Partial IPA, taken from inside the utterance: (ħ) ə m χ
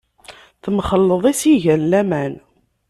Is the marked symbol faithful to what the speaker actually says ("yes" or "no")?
no